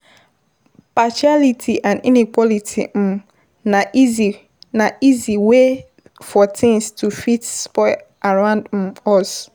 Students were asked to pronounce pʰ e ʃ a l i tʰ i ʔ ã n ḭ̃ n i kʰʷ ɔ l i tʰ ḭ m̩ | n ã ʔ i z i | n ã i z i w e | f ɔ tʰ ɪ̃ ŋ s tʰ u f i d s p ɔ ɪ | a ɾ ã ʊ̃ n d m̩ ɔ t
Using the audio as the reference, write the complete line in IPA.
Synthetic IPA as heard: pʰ a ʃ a l i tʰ i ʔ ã n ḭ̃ n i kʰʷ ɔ l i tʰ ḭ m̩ | n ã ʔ i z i | n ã i z i w e | f ɔ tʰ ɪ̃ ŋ s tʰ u f i t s p ɔ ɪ | a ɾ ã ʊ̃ n d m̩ ɔ s